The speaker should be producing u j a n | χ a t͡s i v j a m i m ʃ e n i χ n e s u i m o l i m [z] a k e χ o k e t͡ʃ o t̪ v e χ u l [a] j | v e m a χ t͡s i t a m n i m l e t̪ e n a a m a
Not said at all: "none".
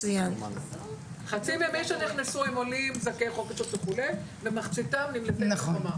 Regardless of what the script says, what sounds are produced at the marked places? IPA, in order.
z, e

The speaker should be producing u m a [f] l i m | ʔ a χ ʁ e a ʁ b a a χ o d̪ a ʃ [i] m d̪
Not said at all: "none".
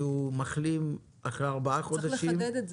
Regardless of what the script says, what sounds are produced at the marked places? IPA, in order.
χ, i

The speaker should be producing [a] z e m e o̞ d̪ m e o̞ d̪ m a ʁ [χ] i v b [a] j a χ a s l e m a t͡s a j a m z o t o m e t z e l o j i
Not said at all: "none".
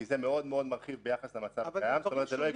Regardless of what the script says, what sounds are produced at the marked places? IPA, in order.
i, χ, e

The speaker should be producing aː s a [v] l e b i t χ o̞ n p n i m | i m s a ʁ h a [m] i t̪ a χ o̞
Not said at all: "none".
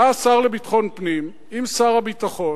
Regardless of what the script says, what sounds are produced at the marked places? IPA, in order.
ʁ, b

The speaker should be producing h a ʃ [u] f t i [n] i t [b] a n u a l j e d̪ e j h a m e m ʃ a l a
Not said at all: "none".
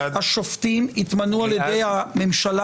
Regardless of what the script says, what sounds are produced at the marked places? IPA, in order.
o, m, m

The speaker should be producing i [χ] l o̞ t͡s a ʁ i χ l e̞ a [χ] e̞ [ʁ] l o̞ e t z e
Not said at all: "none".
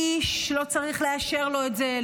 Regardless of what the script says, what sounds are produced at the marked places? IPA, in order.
ʃ, ʃ, ʁ

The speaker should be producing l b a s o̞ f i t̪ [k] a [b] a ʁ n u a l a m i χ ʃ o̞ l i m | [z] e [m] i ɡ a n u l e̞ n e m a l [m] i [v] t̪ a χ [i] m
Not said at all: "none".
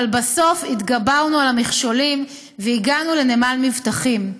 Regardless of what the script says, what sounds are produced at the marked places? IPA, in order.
ɡ, b, v, none, m, v, i

